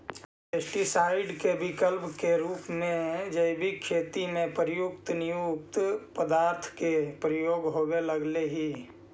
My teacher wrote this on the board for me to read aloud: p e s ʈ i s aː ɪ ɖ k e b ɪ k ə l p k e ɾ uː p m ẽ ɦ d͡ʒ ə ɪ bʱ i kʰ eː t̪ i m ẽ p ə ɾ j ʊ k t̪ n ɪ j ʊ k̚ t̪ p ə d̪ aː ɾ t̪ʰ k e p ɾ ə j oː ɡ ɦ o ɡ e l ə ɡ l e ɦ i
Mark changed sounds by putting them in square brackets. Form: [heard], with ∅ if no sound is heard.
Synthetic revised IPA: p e s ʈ i s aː ɪ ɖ k e b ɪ k ə l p k e ɾ uː p m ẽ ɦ d͡ʒ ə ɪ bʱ i kʰ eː t̪ i m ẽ p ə ɾ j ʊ k t̪ n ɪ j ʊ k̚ t̪ p ə d̪ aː ɾ t̪ʰ k e p ɾ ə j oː ɡ ɦ o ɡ e l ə ɡ l e ɦ i

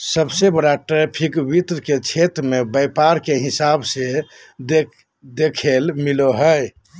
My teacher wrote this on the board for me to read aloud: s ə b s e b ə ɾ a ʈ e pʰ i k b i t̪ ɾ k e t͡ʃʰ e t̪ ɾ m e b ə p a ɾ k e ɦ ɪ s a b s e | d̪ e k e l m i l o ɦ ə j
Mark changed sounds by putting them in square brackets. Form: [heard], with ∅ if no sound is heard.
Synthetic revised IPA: s ə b s e b ə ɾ a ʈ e pʰ i k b i t̪ ɾ k e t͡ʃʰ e t̪ ɾ m e b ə p a ɾ k e ɦ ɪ s a b s e | d̪ e [kʰ] e l m i l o ɦ ə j

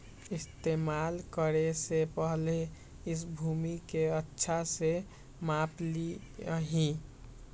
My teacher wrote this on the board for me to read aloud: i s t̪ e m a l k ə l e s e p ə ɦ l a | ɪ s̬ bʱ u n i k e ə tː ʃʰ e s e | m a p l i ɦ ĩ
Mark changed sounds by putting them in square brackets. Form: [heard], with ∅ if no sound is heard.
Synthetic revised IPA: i s t̪ e m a l k ə [ɾ] e s e p ə ɦ l [e] | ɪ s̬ bʱ u [m] i k e ə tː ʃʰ [a] s e | m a p l i ɦ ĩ

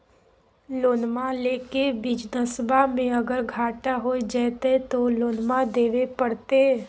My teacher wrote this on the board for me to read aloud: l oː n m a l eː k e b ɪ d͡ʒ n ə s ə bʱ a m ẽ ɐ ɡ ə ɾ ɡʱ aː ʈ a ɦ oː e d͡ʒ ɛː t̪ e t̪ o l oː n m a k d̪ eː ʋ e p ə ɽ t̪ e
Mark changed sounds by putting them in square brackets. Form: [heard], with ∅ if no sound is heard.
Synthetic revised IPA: l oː n m a l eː k e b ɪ d͡ʒ n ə s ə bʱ a m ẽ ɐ ɡ ə ɾ ɡʱ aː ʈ a ɦ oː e d͡ʒ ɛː t̪ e t̪ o l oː n m a [∅] d̪ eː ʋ e p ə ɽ t̪ e

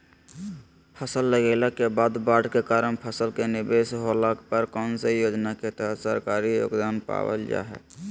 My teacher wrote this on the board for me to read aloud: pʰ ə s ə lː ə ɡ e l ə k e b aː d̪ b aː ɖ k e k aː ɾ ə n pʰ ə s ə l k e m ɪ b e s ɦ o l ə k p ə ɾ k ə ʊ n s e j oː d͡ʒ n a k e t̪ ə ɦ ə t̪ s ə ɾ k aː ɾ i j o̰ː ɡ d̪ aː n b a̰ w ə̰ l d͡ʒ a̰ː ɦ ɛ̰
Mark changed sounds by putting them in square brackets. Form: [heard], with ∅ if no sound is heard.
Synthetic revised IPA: pʰ ə s ə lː ə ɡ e l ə k e b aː d̪ b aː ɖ k e k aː ɾ ə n pʰ ə s ə l k e [n] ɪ b e s ɦ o l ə k p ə ɾ k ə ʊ n s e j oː d͡ʒ n a k e t̪ ə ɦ ə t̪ s ə ɾ k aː ɾ i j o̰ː ɡ d̪ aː n [p] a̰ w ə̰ l d͡ʒ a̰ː ɦ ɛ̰

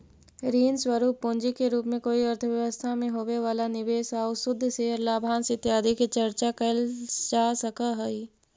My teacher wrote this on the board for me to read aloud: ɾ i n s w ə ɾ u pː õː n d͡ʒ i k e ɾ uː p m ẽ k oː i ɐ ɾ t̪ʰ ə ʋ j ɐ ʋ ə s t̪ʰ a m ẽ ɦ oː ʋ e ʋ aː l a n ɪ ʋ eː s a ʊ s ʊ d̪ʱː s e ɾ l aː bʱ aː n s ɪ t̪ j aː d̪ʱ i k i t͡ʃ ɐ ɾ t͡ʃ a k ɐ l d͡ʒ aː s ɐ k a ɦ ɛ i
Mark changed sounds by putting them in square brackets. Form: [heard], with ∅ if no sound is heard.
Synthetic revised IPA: ɾ [iː] n s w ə ɾ [uː] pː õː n d͡ʒ i k e ɾ uː p m ẽ k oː i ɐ ɾ t̪ʰ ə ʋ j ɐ ʋ ə s t̪ʰ a m ẽ ɦ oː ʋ e ʋ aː l a n ɪ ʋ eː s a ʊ s ʊ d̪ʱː s e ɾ l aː bʱ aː n s ɪ t̪ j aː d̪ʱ i k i t͡ʃ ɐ ɾ t͡ʃ a k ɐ l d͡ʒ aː s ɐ k a ɦ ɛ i

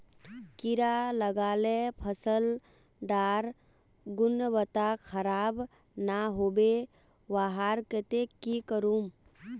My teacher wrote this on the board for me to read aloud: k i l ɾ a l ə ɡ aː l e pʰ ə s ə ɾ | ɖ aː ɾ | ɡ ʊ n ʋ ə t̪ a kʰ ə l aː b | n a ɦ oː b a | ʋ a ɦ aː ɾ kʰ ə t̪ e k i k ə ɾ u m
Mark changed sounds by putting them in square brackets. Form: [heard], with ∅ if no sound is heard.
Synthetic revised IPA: k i [∅] ɾ a l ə ɡ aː l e pʰ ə s ə [l] | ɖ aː ɾ | ɡ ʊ n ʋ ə t̪ a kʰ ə [ɾ] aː b | n a ɦ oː b [e] | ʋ a ɦ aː ɾ [k] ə t̪ e k i k ə ɾ u m

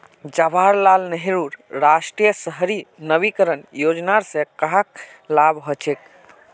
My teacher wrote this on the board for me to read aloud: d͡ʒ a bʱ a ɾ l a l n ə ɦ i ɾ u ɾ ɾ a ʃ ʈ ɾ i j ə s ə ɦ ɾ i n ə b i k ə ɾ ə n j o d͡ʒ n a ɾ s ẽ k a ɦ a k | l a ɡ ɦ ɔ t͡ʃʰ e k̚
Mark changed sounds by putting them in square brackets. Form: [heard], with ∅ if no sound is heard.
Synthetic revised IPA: d͡ʒ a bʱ a ɾ l a l n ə ɦ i ɾ u ɾ ɾ a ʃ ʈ ɾ i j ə s ə ɦ ɾ i n ə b i k ə ɾ ə n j o d͡ʒ n a ɾ s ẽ k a ɦ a k | l a [b] ɦ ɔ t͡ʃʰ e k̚

